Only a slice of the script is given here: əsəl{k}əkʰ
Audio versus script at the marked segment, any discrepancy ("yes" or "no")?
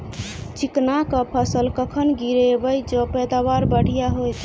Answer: no